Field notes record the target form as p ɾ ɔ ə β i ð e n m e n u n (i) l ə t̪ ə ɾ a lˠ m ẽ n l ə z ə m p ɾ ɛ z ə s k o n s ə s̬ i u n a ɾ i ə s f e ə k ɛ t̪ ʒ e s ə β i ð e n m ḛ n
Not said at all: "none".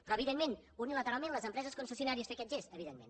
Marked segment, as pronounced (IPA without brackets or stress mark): i